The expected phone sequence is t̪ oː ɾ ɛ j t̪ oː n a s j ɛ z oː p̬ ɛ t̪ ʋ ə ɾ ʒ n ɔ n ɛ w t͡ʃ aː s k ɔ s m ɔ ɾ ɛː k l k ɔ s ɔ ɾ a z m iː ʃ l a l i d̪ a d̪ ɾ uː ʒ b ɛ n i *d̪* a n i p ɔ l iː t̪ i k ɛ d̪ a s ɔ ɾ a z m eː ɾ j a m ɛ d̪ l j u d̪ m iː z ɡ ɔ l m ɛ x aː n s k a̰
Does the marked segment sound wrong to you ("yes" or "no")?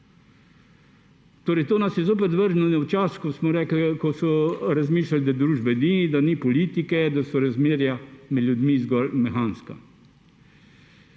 no